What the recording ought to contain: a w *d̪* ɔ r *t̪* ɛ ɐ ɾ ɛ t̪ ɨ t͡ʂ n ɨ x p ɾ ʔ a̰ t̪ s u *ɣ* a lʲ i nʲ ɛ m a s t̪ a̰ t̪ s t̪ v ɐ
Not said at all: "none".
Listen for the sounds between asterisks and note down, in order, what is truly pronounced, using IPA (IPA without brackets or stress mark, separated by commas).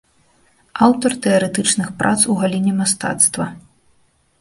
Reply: t̪, t̪, ɣ